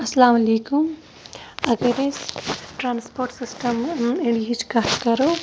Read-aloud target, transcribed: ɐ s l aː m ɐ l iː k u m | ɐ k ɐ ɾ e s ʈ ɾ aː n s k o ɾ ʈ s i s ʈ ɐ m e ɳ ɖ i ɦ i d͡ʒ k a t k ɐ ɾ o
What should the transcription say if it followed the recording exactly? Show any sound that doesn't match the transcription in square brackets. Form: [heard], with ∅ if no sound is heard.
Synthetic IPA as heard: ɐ s l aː m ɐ l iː k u m | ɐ [ɡ] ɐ ɾ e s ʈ ɾ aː n s [p] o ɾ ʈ s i s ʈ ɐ m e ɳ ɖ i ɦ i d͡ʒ k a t k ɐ ɾ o

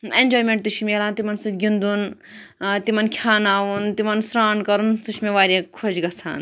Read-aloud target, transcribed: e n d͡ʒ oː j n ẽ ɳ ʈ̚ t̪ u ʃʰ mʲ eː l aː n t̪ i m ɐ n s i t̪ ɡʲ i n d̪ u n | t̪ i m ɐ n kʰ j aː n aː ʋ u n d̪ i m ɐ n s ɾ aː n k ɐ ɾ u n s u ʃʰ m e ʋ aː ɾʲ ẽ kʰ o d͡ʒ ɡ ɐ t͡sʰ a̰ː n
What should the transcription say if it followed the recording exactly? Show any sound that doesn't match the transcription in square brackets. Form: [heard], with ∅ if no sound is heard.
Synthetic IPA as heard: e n d͡ʒ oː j [m] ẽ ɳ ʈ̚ t̪ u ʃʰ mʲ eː l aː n t̪ i m ɐ n s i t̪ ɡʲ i n d̪ u n | t̪ i m ɐ n kʰ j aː n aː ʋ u n [t̪] i m ɐ n s ɾ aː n k ɐ ɾ u n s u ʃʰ m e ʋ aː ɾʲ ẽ kʰ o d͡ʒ ɡ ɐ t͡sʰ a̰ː n

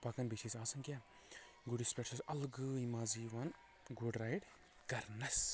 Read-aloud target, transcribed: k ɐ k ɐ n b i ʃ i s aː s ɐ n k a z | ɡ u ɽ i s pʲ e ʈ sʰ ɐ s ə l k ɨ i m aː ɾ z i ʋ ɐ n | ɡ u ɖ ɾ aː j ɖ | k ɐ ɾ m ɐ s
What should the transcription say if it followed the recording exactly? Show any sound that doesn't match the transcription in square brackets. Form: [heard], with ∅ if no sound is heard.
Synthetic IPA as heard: [p] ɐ k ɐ n b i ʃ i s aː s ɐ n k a [∅] | ɡ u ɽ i s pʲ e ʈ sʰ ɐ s [ɐ] l [ɡ] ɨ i m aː [∅] z i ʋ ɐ n | ɡ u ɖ ɾ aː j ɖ | k ɐ ɾ [n] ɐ s

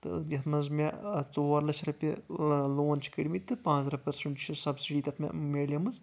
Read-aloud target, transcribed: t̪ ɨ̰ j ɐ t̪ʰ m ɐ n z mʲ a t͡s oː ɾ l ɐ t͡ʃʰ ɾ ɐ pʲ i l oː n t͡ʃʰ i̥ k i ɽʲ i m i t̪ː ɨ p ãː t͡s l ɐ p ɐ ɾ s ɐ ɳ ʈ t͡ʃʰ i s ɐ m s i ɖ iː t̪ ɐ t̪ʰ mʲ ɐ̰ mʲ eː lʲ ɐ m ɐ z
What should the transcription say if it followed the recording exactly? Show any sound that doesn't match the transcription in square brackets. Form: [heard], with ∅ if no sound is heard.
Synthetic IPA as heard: t̪ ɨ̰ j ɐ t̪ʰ m ɐ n z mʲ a t͡s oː ɾ l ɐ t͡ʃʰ ɾ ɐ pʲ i l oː n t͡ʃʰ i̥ k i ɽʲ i m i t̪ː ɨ p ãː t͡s [ɾ] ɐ p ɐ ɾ s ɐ ɳ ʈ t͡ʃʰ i s ɐ [b] s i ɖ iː t̪ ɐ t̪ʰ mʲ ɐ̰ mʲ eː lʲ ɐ m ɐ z

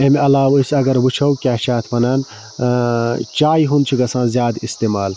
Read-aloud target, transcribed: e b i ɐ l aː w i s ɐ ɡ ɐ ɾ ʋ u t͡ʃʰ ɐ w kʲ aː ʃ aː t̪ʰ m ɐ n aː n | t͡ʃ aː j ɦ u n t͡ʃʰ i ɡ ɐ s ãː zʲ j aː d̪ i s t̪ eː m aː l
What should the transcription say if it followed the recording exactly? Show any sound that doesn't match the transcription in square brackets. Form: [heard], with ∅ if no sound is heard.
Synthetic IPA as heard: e [m] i ɐ l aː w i s ɐ ɡ ɐ ɾ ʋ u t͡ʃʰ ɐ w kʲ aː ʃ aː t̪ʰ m ɐ n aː n | t͡ʃ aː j ɦ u n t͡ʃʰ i ɡ ɐ s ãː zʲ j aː d̪ i s t̪ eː m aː l

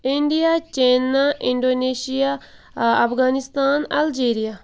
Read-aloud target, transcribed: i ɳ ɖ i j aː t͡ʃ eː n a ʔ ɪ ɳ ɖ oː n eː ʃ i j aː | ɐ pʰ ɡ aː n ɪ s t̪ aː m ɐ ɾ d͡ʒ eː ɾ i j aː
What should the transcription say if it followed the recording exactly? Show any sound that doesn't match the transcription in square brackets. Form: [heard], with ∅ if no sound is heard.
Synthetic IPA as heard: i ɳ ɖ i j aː t͡ʃ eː n a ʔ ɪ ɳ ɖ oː n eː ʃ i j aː | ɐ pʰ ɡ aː n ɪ s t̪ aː [n] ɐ [l] d͡ʒ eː ɾ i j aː

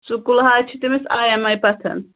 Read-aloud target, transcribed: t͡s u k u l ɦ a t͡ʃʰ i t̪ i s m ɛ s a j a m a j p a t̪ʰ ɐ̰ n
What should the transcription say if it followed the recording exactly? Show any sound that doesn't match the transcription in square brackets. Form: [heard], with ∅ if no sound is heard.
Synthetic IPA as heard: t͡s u k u l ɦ a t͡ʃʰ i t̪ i [∅] m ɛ s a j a m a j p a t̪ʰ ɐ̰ n

